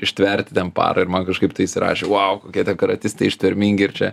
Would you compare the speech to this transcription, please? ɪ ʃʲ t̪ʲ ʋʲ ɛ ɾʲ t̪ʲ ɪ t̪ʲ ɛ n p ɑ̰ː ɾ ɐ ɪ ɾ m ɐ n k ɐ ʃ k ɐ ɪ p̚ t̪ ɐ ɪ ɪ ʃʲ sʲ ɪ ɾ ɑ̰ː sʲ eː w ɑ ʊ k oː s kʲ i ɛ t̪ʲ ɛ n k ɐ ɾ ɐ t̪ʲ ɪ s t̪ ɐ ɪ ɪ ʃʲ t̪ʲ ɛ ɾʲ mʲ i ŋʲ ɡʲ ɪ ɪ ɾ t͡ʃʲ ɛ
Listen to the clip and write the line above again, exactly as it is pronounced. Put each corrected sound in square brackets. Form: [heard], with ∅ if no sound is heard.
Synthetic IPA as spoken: ɪ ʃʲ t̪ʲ ʋʲ ɛ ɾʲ t̪ʲ ɪ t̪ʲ ɛ n p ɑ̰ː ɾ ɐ ɪ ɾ m ɐ n k ɐ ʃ k ɐ ɪ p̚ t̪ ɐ ɪ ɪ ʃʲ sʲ ɪ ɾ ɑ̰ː [ʃʲ] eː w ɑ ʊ k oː [∅] kʲ i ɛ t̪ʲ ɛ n k ɐ ɾ ɐ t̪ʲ ɪ s t̪ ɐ ɪ ɪ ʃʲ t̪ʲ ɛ ɾʲ mʲ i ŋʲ ɡʲ ɪ ɪ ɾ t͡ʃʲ ɛ